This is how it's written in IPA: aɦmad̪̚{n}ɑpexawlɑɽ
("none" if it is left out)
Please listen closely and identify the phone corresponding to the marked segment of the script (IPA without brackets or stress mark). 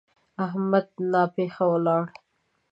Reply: n